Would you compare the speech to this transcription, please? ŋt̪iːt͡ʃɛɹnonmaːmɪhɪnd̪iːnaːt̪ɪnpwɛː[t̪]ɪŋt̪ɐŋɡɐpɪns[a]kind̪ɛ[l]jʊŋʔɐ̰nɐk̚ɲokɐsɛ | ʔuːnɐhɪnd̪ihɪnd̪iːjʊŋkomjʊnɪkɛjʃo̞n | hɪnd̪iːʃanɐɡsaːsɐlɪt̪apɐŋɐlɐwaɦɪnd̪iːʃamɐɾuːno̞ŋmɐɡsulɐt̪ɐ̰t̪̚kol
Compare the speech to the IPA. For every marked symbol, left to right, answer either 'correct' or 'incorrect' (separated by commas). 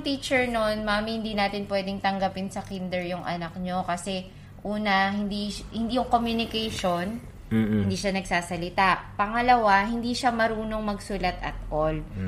incorrect, incorrect, incorrect